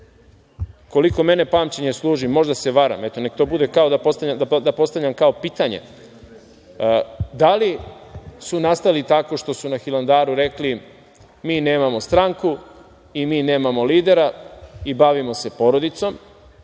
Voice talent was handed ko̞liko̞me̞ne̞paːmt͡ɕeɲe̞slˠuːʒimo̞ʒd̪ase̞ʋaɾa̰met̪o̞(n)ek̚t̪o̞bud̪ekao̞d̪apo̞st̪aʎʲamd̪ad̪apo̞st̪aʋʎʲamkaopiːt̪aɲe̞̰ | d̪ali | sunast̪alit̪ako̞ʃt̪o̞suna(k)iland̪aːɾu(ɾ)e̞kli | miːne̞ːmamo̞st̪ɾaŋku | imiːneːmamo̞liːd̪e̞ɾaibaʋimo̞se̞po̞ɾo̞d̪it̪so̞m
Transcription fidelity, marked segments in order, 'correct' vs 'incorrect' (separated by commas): correct, incorrect, correct